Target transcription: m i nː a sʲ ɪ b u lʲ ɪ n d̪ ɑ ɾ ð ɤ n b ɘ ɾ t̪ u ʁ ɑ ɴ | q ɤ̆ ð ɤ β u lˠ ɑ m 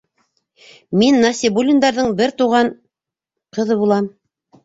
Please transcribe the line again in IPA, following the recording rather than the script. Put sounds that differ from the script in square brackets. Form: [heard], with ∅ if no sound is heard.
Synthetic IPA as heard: m i nː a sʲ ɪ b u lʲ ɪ n d̪ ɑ ɾ ð ɤ [ɴ] b ɘ ɾ t̪ u ʁ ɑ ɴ | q ɤ̆ ð ɤ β u lˠ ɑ m